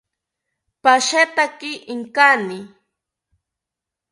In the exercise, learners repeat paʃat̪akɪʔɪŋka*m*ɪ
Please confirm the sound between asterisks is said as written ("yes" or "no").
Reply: no